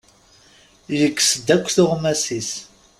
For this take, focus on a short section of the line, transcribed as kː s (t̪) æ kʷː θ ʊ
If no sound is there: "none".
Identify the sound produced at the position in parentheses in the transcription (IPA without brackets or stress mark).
d̪